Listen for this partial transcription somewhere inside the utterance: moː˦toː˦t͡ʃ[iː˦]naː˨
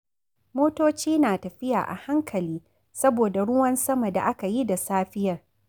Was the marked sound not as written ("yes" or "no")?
no